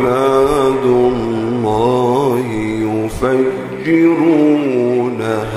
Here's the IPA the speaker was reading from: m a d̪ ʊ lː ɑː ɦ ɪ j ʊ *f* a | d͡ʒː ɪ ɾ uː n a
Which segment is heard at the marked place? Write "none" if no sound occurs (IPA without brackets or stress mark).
f